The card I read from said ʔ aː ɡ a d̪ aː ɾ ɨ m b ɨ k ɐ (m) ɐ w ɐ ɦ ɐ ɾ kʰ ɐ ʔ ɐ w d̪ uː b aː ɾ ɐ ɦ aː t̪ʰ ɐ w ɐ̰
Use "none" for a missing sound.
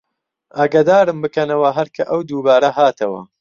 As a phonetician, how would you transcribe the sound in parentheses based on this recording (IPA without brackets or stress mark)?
n